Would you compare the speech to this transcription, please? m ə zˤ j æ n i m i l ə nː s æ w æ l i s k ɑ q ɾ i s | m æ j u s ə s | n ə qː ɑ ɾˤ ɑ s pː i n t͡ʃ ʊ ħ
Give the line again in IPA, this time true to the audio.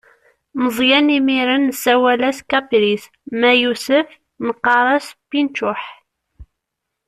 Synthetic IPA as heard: m ə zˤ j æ n i m i ɾ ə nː s æ w æ l æ s k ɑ p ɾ i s | m æ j u s ə f | n ə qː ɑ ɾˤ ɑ s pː i n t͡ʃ ʊ ħ